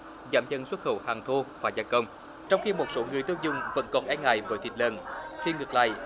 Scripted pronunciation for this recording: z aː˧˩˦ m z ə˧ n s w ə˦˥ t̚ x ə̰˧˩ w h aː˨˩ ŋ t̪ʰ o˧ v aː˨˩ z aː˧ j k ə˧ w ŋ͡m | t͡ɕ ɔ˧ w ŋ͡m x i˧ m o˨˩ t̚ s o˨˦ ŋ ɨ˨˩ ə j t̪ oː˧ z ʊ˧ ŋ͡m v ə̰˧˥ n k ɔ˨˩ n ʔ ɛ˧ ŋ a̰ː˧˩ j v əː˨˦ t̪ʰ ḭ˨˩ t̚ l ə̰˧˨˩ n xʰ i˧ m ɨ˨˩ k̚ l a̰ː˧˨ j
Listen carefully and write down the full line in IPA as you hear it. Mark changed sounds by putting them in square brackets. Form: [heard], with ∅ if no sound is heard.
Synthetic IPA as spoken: z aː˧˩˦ m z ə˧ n s w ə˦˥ t̚ x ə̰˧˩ w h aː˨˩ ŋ t̪ʰ o˧ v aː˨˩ z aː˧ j k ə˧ w ŋ͡m | t͡ɕ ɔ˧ w ŋ͡m x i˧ m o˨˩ t̚ s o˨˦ ŋ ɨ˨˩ ə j t̪ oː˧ z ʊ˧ ŋ͡m v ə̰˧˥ n k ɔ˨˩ n ʔ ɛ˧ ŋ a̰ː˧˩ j v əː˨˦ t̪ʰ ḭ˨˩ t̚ l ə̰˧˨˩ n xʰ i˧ [ŋ] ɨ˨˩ k̚ l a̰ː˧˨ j

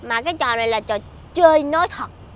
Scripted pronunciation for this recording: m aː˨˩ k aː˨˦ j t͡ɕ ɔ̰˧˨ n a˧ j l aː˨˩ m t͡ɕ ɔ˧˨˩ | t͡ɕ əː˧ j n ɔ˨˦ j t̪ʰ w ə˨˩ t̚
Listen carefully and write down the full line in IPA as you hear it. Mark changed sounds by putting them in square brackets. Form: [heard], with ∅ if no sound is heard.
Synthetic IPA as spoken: m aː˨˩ k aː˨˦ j t͡ɕ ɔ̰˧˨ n [a˨˩] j l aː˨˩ [∅] t͡ɕ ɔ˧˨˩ | t͡ɕ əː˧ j n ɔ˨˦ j t̪ʰ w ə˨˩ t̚

